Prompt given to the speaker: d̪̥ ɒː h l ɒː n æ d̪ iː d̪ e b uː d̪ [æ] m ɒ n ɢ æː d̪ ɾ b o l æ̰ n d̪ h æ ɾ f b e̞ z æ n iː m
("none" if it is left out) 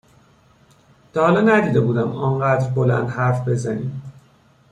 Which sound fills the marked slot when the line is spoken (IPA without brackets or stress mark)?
æ